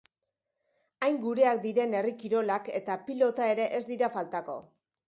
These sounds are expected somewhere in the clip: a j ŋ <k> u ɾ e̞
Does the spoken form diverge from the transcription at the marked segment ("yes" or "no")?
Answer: yes